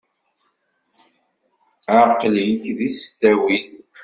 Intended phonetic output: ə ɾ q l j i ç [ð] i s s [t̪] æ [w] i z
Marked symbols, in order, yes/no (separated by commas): yes, yes, yes